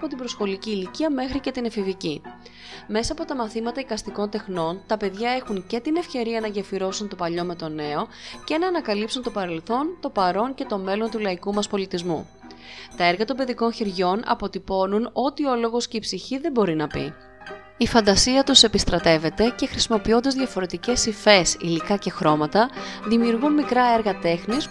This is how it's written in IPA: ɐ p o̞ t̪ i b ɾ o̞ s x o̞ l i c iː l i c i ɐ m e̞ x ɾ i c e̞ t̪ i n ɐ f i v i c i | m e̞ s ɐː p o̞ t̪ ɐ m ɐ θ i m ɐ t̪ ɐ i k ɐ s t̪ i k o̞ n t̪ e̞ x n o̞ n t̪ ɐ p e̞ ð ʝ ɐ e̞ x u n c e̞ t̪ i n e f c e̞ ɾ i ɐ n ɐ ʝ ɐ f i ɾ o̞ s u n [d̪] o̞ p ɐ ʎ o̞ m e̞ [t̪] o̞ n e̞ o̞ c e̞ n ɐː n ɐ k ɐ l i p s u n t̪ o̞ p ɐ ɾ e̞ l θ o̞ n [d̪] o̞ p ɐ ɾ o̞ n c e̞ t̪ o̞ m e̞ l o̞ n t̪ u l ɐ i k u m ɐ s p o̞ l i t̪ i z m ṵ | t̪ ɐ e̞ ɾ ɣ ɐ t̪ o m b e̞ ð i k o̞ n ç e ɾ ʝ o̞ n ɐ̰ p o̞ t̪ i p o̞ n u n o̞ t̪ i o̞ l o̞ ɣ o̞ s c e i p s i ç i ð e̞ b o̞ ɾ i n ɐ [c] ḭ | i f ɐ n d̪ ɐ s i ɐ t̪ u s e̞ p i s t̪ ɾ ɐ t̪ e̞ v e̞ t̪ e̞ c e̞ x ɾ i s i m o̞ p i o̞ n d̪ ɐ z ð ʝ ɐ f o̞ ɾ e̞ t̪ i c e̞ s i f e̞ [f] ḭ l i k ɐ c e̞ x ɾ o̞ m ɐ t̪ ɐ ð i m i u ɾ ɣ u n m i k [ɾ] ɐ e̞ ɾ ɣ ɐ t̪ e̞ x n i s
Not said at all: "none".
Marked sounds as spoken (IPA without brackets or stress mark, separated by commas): t̪, t̪, t̪, p, s, ɾ